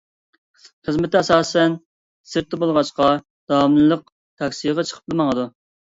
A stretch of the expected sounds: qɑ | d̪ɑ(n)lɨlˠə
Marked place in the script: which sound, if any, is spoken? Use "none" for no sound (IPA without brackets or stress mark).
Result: m